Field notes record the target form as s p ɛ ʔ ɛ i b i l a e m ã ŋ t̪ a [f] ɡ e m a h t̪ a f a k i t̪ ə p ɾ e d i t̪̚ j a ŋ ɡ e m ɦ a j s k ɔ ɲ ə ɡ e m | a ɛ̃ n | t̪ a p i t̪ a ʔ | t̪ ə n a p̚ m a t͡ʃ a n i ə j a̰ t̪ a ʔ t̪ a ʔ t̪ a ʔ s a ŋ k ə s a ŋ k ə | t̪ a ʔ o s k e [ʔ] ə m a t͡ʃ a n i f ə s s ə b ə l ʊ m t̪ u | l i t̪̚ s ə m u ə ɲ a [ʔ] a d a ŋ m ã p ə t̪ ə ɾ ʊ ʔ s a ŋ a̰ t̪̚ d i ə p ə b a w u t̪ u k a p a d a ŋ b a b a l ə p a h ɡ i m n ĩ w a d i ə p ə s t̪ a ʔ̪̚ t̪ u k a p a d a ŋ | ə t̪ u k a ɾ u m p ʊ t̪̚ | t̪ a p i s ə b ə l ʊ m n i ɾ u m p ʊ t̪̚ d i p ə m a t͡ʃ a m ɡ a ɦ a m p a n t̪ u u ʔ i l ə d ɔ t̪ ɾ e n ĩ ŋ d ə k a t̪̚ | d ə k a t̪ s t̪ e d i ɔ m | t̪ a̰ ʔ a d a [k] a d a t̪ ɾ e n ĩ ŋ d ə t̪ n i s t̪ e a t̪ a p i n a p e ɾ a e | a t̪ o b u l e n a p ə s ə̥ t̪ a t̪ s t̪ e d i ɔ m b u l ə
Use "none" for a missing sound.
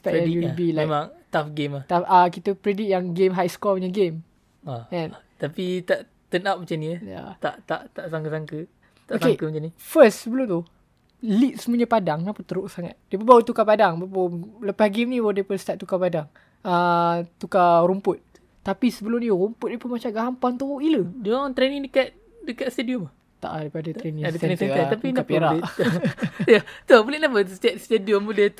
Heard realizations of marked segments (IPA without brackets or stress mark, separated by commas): f, k, p, p